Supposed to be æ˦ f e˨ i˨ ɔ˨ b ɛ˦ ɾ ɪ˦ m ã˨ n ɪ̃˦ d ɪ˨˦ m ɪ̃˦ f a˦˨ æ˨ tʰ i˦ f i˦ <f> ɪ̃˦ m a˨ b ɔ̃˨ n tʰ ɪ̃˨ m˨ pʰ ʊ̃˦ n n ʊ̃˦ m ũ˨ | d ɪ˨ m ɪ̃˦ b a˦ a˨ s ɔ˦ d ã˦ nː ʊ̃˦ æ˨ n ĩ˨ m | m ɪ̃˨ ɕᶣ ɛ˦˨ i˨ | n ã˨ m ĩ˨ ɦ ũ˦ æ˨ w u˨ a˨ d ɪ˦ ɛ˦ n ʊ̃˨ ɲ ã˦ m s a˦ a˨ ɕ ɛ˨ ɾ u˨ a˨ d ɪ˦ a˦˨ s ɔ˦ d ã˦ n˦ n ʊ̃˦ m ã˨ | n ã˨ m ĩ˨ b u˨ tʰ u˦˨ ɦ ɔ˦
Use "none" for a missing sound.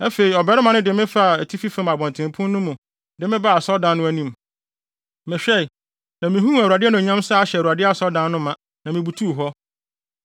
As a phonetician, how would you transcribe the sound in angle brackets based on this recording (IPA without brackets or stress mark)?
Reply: f